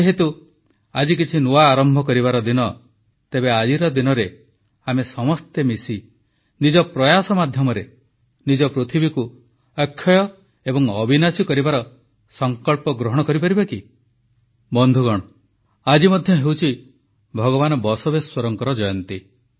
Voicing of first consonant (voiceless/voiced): voiced